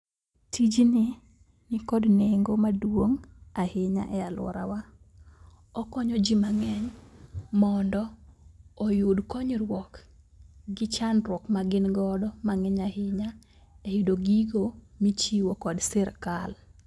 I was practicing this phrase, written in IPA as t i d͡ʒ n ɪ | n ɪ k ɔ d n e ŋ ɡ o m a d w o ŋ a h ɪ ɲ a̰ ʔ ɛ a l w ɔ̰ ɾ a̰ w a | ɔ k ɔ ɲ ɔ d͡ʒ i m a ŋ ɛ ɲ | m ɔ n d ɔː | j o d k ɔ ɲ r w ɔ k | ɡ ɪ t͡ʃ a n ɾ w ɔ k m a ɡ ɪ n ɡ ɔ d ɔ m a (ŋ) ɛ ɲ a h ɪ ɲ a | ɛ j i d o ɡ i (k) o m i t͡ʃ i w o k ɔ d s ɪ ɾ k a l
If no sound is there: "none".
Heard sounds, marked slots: ŋ, ɡ

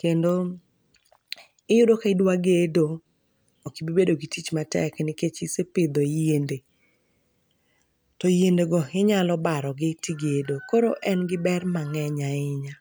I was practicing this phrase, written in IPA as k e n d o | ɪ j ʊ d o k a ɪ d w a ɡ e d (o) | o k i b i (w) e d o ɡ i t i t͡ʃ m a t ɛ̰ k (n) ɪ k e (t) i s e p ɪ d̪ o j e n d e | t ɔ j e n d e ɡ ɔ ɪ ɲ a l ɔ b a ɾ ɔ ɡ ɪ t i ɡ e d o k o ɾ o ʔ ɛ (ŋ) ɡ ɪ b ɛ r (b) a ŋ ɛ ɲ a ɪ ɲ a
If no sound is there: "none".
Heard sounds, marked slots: o, b, n, t͡ʃ, n, m

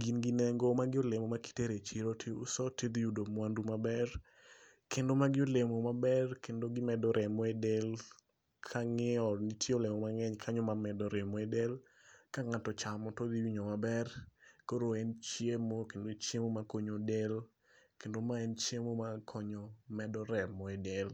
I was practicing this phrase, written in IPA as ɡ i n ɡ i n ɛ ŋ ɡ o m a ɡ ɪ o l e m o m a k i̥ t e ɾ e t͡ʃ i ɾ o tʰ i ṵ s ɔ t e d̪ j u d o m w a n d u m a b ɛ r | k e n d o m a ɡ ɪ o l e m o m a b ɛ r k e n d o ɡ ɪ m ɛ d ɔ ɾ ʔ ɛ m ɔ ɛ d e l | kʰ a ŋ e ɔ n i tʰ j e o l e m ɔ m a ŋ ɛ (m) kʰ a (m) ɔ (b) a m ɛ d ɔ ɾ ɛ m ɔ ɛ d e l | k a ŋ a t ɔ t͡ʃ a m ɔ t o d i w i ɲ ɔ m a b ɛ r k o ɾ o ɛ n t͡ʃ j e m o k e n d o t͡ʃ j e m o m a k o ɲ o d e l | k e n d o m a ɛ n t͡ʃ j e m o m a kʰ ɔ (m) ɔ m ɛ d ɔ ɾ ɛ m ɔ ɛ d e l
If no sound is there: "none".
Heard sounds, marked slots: ɲ, ɲ, m, ɲ

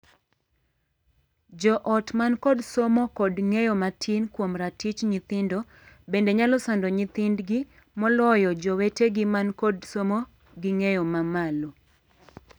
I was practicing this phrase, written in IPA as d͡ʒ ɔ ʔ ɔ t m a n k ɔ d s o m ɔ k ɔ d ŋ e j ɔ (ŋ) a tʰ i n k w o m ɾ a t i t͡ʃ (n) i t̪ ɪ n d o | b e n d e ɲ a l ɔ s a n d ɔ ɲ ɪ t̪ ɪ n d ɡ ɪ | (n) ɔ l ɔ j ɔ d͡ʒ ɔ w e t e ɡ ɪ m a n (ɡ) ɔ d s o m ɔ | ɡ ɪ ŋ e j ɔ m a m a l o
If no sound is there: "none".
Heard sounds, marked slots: m, ɲ, m, k

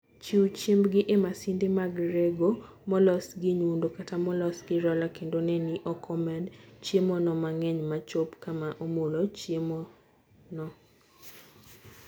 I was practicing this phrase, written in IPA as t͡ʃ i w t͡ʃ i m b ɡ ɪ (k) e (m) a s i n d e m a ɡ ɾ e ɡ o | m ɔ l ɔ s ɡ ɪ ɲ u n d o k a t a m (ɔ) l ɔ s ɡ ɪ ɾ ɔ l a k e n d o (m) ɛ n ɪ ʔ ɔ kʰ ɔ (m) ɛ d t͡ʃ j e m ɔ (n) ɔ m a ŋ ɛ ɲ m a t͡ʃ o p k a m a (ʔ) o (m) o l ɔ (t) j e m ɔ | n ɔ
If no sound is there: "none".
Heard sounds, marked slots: ʔ, m, ɔ, n, m, n, ʔ, m, t͡ʃ

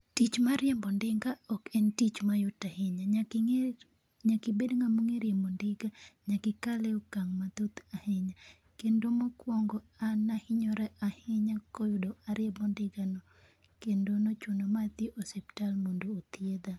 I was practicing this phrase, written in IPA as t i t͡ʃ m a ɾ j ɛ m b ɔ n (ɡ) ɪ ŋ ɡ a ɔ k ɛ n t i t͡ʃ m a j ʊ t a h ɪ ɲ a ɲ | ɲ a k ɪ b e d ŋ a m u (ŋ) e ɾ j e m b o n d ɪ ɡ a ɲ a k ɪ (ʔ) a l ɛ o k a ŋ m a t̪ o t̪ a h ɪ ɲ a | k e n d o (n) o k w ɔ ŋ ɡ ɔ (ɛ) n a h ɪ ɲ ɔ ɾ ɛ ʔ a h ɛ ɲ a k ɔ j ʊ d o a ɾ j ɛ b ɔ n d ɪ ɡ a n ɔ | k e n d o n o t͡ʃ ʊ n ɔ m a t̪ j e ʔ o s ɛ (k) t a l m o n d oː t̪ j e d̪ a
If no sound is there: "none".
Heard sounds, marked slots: d, ŋ, k, m, a, p

